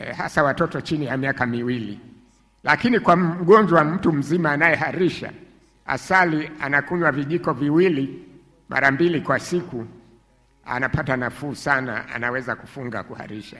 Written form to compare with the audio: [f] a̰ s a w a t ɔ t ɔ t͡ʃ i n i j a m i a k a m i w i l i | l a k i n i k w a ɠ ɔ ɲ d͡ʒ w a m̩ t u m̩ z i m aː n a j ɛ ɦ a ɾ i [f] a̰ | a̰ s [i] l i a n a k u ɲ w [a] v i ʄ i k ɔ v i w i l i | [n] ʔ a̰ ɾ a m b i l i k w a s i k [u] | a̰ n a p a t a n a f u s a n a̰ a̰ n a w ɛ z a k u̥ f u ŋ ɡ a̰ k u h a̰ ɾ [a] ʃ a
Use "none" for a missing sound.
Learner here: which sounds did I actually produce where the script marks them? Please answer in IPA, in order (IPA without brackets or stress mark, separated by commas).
h, ʃ, a, a, m, u, i